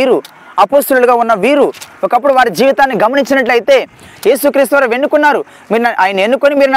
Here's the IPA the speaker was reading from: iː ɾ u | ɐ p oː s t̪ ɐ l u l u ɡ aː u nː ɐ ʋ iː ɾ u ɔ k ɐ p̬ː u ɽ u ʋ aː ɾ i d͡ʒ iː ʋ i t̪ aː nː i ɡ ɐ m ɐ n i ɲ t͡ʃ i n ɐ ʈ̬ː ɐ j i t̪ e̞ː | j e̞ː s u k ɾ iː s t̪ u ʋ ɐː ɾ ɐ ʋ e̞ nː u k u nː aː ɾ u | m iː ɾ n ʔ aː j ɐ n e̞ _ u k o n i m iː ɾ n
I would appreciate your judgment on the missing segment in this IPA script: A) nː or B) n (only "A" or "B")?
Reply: A